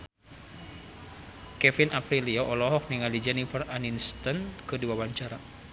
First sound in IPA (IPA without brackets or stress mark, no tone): k